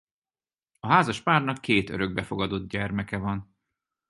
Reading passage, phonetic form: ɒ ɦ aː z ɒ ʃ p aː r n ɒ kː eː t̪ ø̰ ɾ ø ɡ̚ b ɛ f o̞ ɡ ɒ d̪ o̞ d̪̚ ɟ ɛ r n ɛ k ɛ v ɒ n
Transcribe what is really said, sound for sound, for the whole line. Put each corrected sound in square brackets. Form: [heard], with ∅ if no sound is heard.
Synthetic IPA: ɒ ɦ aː z ɒ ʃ p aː r n ɒ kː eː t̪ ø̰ ɾ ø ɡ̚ b ɛ f o̞ ɡ ɒ d̪ o̞ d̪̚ ɟ ɛ r [m] ɛ k ɛ v ɒ n